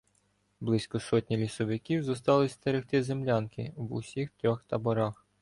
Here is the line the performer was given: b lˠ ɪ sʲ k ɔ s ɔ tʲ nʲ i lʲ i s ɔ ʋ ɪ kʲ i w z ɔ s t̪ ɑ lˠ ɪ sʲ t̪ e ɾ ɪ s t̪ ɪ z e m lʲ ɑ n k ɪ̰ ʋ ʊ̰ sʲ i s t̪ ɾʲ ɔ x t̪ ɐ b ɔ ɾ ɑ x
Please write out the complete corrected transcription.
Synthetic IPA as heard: b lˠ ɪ sʲ k ɔ s ɔ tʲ nʲ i lʲ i s ɔ ʋ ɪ kʲ i w z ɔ s t̪ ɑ lˠ ɪ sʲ t̪ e ɾ ɪ x t̪ ɪ z e m lʲ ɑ n k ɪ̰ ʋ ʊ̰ sʲ i x t̪ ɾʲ ɔ x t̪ ɐ b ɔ ɾ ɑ x